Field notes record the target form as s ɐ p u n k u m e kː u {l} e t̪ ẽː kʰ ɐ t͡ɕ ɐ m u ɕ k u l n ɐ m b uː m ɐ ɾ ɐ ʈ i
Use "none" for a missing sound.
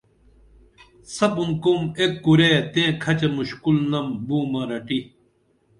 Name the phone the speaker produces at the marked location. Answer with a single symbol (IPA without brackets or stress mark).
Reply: ɾ